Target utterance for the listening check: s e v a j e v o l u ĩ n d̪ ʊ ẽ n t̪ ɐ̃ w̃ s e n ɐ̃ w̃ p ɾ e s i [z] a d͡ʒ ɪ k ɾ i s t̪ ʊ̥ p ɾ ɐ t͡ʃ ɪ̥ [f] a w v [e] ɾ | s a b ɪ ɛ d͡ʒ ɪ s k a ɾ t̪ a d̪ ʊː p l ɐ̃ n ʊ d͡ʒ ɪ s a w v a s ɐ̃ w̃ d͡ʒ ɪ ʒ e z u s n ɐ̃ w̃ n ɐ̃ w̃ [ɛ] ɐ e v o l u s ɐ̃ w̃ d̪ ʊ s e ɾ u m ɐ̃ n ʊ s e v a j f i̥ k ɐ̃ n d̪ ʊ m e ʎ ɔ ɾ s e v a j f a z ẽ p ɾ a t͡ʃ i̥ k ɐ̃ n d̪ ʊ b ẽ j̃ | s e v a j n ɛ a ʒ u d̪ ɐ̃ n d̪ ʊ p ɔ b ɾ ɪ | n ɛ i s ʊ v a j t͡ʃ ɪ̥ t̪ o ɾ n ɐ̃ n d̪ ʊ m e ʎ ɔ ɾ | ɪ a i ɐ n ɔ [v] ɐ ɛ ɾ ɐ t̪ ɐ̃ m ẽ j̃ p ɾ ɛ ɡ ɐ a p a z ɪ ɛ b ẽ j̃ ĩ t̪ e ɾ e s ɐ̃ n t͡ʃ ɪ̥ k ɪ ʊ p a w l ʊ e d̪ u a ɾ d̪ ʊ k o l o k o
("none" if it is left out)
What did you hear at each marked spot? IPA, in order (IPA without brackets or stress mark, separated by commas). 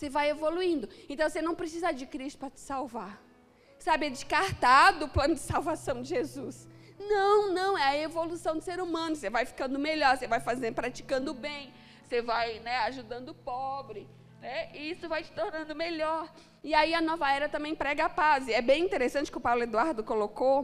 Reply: z, s, a, ɛ, v